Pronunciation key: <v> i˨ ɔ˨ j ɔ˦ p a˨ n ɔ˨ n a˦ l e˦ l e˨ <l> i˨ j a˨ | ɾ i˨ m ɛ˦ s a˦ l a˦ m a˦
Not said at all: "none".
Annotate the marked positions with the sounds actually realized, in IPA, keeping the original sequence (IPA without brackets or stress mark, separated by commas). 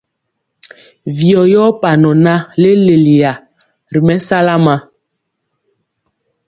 v, l